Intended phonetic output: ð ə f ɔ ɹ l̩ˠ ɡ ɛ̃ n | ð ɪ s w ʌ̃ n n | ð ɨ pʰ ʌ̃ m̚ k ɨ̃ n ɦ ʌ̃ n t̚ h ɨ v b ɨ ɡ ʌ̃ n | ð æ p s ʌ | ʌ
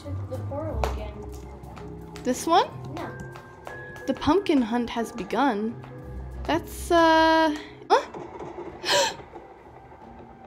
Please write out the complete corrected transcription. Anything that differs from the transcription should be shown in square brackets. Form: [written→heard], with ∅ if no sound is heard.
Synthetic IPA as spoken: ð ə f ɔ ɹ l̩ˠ ɡ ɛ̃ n | ð ɪ s w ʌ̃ n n | ð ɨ pʰ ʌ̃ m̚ k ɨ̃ n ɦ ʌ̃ n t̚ h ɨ [v→z] b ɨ ɡ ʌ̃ n | ð æ [p→t] s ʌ | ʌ